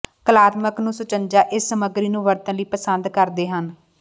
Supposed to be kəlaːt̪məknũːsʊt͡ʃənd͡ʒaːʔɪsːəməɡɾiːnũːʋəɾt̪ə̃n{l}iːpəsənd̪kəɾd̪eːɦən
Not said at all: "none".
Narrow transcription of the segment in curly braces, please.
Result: l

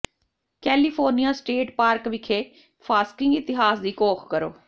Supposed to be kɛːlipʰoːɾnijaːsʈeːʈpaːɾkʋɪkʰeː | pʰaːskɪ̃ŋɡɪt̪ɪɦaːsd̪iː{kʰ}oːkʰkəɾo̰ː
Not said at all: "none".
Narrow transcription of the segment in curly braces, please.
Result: k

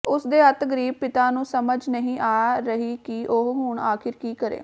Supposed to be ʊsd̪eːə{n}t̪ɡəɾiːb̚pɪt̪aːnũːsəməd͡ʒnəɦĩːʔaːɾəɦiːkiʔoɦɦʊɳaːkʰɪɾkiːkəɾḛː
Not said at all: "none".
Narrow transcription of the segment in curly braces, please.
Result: none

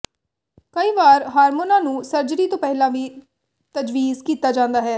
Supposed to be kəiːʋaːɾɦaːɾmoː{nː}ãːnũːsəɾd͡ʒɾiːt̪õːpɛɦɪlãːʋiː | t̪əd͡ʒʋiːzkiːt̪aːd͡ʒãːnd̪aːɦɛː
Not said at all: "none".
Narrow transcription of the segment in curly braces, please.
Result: n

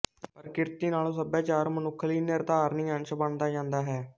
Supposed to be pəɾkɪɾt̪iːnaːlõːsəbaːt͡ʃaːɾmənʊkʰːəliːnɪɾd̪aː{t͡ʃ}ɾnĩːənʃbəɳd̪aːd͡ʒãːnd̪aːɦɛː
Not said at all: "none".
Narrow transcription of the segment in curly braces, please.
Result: none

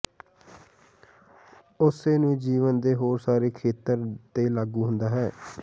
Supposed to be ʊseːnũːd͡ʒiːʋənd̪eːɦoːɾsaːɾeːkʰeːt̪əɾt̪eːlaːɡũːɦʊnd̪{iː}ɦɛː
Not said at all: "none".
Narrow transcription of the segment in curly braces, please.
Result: aː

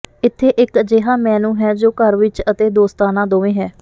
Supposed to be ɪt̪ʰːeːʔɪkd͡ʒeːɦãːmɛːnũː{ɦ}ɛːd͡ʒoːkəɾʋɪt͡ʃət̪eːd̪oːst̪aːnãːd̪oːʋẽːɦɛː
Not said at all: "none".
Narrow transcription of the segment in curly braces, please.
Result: ɦ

